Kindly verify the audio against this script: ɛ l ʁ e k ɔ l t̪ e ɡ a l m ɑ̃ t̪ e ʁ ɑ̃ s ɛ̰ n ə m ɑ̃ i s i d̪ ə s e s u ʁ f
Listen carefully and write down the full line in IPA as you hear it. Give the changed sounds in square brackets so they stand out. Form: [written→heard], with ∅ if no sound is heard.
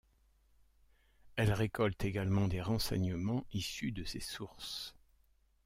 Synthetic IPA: ɛ l ʁ e k ɔ l t̪ e ɡ a l m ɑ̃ [t̪→d̪] e ʁ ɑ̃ s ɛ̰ [n→ɲ] ə m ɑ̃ i s [i→y] d̪ ə s e s u ʁ [f→s]